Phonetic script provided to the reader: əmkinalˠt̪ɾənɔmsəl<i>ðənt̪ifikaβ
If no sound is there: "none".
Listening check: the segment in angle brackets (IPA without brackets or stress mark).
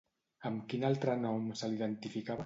i